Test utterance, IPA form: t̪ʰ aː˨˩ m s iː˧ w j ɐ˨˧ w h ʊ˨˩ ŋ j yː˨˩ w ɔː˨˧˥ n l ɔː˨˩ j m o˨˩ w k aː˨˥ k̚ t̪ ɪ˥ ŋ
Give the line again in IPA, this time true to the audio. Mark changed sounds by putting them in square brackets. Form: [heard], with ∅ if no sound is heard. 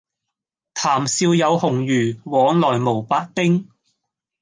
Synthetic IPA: t̪ʰ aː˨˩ m s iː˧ w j ɐ˨˧ w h ʊ˨˩ ŋ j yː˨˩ w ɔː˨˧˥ [ŋ] l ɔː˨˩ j m o˨˩ w [p] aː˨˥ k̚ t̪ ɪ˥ ŋ